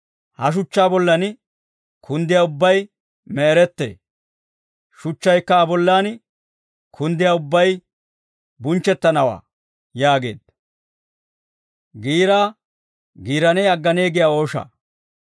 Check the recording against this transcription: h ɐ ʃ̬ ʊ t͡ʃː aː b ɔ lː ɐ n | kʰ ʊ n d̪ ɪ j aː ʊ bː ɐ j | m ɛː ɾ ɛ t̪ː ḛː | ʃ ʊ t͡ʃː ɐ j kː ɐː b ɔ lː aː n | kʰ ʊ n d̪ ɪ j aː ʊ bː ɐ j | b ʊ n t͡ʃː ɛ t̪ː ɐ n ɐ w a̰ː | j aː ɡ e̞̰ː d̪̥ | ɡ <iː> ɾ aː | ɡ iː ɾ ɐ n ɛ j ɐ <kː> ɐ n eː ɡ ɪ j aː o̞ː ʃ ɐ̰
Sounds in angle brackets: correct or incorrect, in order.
correct, incorrect: ɡː

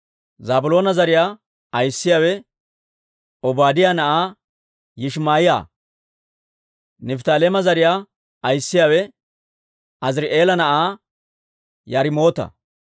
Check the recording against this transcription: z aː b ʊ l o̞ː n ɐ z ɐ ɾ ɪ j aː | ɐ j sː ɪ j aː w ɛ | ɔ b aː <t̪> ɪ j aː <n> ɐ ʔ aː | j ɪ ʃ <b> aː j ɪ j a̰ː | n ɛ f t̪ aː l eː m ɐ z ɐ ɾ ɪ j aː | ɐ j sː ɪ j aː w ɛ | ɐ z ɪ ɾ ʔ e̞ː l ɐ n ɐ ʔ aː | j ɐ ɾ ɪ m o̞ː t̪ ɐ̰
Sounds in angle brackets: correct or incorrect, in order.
incorrect: d̪, correct, incorrect: m

